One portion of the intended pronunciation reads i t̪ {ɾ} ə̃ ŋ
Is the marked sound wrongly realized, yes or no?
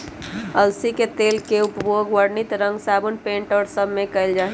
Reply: no